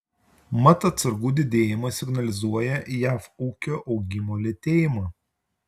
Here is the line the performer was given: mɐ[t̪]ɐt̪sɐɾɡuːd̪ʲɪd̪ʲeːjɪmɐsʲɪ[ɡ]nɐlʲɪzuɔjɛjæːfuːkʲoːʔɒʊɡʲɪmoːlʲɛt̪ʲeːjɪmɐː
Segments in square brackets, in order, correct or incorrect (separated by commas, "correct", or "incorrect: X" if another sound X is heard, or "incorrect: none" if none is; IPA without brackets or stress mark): correct, correct